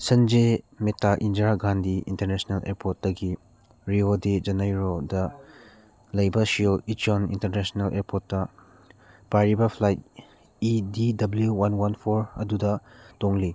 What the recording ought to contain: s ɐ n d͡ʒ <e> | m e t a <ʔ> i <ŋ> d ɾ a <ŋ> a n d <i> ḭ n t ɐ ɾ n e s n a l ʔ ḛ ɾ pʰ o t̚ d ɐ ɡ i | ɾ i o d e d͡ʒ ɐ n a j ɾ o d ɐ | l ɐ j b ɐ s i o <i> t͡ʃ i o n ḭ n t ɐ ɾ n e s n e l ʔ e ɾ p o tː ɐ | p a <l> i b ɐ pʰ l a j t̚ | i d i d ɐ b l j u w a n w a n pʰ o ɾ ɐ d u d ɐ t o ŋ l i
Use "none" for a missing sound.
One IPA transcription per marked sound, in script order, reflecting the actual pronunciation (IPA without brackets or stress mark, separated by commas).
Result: e, ʔ, n, ɡ, i, i, ɾ